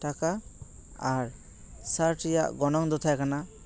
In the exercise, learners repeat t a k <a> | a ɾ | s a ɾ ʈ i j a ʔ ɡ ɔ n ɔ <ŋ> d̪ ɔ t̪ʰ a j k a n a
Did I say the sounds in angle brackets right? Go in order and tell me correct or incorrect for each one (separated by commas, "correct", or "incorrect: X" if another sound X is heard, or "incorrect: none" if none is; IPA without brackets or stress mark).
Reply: correct, correct